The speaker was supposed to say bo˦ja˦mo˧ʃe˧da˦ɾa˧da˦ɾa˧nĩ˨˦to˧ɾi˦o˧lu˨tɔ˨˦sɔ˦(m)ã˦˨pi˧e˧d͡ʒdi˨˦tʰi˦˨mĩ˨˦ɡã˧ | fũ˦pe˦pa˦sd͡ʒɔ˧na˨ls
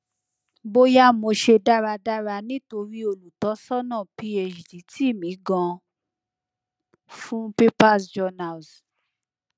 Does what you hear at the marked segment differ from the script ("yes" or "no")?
yes